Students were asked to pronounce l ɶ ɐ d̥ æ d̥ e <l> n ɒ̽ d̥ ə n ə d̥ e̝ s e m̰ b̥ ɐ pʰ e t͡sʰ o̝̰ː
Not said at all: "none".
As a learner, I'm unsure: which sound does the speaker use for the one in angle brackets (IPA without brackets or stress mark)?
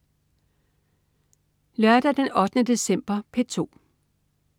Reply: none